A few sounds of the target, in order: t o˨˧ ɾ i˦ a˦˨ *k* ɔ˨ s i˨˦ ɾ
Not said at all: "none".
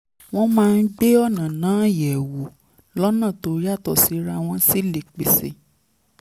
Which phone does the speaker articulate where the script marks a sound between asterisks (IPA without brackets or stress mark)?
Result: t